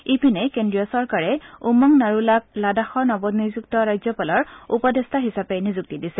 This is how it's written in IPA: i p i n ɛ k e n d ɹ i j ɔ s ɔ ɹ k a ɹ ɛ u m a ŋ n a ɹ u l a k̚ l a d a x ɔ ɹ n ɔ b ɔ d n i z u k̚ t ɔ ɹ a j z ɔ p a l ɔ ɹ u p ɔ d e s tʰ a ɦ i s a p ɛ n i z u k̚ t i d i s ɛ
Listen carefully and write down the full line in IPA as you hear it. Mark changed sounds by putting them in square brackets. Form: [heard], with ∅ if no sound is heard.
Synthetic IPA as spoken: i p i n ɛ k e n d ɹ i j ɔ s ɔ ɹ k a ɹ ɛ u m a ŋ n a ɹ u l a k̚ l a d a x ɔ ɹ n ɔ b ɔ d n i z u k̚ t ɔ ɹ a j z ɔ p a l ɔ ɹ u p ɔ d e s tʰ a ɦ i s a p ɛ n i z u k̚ t i d i s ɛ

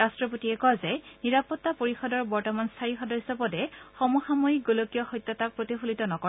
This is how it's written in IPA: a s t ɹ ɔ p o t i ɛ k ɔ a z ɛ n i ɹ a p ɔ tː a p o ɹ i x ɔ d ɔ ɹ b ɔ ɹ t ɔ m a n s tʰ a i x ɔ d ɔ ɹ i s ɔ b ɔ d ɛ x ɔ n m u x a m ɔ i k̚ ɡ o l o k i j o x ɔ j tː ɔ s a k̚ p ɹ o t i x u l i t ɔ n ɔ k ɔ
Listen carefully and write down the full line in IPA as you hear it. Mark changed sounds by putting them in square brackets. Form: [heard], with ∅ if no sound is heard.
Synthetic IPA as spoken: a s t ɹ ɔ p o t i ɛ k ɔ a z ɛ n i ɹ a p ɔ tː a p o ɹ i x ɔ d ɔ ɹ b ɔ ɹ t ɔ m a n s tʰ a i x ɔ d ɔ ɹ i s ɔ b ɔ d ɛ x ɔ [∅] m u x a m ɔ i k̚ ɡ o l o k i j [ɔ] x ɔ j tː ɔ [t] a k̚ p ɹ o t i x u l i t ɔ n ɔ k ɔ

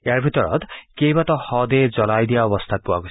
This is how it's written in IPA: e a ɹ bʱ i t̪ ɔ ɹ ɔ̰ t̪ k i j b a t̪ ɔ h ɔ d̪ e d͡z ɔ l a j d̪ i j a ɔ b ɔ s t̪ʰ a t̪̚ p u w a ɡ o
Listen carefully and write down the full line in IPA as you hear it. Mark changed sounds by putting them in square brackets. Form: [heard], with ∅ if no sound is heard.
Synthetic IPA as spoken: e a ɹ bʱ i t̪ ɔ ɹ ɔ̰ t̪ k [e] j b a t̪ ɔ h ɔ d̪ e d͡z ɔ l a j d̪ i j a ɔ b ɔ s t̪ʰ a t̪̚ p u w a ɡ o

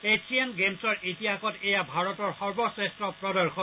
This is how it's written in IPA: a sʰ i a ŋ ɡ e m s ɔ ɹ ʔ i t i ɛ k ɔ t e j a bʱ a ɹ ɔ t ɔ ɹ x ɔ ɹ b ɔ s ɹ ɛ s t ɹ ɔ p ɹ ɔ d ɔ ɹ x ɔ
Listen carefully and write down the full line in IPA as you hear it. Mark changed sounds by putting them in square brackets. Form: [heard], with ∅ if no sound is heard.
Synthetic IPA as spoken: [e] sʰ i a [n] ɡ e m s ɔ ɹ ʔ i t i [a] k ɔ t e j a bʱ a ɹ ɔ t ɔ ɹ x ɔ ɹ b ɔ s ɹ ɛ s t ɹ ɔ p ɹ ɔ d ɔ ɹ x ɔ

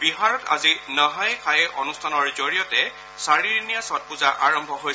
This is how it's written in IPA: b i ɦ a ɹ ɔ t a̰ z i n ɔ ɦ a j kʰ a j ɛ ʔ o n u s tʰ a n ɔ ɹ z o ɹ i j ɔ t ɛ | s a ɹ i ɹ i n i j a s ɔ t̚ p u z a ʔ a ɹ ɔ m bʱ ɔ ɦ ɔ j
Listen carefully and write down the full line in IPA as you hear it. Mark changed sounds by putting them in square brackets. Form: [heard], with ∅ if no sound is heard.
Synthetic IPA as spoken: b i ɦ a ɹ ɔ t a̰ z i n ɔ ɦ a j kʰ a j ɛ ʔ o n u s tʰ a n ɔ ɹ z o ɹ i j ɔ t ɛ | s a ɹ i ɹ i n i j a s ɔ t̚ p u z a ʔ a ɹ ɔ m bʱ ɔ ɦ [o] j

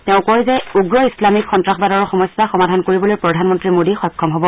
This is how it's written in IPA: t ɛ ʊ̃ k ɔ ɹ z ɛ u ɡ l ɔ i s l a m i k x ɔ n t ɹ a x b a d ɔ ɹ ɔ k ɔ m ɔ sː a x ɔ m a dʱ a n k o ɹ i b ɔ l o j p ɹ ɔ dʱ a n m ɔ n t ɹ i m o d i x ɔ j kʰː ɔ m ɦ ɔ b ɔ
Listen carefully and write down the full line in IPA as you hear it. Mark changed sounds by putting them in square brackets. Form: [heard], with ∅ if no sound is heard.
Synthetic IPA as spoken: t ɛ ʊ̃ k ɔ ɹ z ɛ u ɡ [ɹ] ɔ i s l a m i k x ɔ n t ɹ a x b a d ɔ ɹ ɔ [x] ɔ m ɔ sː a x ɔ m a dʱ a n k o ɹ i b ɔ l o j p ɹ ɔ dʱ a n m ɔ n t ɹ i m o d i x ɔ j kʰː ɔ m ɦ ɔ b ɔ

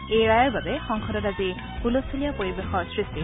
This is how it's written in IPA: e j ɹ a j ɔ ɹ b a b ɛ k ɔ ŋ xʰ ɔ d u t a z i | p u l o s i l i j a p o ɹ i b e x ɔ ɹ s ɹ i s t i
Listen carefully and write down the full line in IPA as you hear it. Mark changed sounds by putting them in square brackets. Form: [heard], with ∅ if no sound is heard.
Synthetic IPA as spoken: e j ɹ a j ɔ ɹ b a b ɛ [x] ɔ ŋ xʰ ɔ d [ɔ] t a z i | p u l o s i l i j a p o ɹ i b e x ɔ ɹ s ɹ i s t i

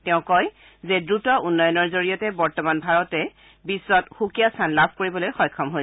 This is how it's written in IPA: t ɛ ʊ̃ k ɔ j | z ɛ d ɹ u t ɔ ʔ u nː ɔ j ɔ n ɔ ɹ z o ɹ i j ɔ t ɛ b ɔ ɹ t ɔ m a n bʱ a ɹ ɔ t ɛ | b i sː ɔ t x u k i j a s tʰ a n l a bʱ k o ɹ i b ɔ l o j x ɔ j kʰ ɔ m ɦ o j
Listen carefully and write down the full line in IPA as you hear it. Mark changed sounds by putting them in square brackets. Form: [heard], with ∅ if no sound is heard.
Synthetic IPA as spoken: t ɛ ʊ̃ k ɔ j | z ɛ d ɹ u t ɔ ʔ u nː ɔ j ɔ n ɔ ɹ z o ɹ i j ɔ t ɛ b ɔ ɹ t ɔ m a n bʱ a ɹ ɔ t ɛ | b i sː ɔ t x u k i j a s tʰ a n l a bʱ k o ɹ i b ɔ l o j x ɔ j kʰ ɔ m ɦ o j

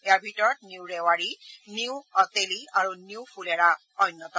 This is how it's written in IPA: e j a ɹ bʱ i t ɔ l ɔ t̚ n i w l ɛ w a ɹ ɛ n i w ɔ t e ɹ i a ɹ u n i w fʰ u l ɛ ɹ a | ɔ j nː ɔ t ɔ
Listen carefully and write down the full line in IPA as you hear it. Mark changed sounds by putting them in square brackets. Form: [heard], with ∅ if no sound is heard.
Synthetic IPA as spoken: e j a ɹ bʱ i t ɔ [ɹ] ɔ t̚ n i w [ɹ] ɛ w a ɹ [i] n i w ɔ t e [l] i a ɹ u n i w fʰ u l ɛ ɹ a | ɔ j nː ɔ t ɔ

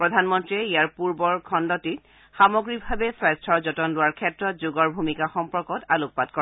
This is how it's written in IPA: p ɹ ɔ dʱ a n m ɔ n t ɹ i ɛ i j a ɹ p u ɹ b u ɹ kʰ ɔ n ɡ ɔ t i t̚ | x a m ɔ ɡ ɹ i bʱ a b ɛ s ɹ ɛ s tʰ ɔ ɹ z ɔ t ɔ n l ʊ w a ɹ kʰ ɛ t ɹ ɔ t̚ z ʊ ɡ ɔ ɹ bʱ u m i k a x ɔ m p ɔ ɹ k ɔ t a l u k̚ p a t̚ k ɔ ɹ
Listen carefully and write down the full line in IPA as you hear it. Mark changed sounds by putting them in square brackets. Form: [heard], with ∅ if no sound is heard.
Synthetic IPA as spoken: p ɹ ɔ dʱ a n m ɔ n t ɹ i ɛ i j a ɹ p u ɹ b [ɔ] ɹ kʰ ɔ n [d] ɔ t i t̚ | x a m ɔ ɡ ɹ i bʱ a b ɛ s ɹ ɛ s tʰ ɔ ɹ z ɔ t ɔ n l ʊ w a ɹ kʰ ɛ t ɹ ɔ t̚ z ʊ ɡ ɔ ɹ bʱ u m i k a x ɔ m p ɔ ɹ k ɔ t a l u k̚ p a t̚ k ɔ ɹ

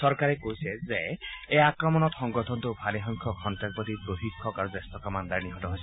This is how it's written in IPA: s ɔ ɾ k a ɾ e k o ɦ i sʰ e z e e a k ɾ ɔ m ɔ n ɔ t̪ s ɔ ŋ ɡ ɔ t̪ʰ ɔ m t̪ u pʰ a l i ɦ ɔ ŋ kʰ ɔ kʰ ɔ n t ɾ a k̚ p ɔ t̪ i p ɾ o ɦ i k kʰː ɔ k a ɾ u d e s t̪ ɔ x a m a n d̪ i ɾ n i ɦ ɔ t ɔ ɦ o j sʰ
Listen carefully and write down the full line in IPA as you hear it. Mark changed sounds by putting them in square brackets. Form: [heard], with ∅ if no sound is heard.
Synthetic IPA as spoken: s ɔ ɾ k a ɾ e k o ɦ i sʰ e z e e a k ɾ ɔ m ɔ n ɔ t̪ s ɔ ŋ ɡ ɔ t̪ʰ ɔ [n] t̪ u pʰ a l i ɦ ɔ ŋ kʰ ɔ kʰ ɔ n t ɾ a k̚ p ɔ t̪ i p ɾ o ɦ i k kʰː ɔ k a ɾ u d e s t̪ ɔ [k] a m a n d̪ [a] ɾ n i ɦ ɔ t ɔ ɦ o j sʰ

